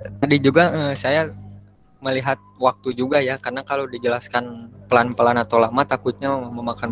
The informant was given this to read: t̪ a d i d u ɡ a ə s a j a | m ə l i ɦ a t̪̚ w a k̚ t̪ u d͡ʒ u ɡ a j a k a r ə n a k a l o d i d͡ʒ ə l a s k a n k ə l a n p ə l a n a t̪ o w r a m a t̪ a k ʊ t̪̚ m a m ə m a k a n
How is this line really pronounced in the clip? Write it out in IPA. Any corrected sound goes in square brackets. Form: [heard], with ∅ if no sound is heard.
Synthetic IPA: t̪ a d i [d͡ʒ] u ɡ a ə s a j a | m ə l i ɦ a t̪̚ w a k̚ t̪ u d͡ʒ u ɡ a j a k a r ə n a k a l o d i d͡ʒ ə l a s k a n [p] ə l a n p ə l a n a t̪ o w [l] a m a t̪ a k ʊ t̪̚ [ɲ] a m ə m a k a n